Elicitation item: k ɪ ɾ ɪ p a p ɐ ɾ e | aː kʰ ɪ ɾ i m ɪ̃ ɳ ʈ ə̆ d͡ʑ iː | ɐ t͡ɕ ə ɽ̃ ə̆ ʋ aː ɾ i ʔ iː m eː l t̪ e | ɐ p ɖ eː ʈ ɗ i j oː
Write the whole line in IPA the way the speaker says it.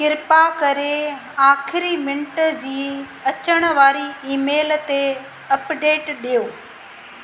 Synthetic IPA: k ɪ ɾ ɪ p a k ɐ ɾ e | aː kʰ ɪ ɾ i m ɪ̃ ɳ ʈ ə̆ d͡ʑ iː | ɐ t͡ɕ ə ɽ̃ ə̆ ʋ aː ɾ i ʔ iː m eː l t̪ e | ɐ p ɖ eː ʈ ɗ i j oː